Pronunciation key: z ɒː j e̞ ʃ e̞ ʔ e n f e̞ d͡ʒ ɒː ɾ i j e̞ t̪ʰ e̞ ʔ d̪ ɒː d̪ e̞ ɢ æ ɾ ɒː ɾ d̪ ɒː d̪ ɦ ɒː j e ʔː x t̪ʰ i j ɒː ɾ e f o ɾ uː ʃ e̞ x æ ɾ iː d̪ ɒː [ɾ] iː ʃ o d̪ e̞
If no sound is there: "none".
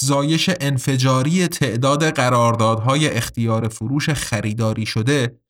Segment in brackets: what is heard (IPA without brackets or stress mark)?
ɾ